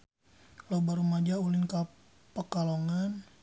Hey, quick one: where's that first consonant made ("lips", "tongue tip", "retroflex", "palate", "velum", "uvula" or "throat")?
tongue tip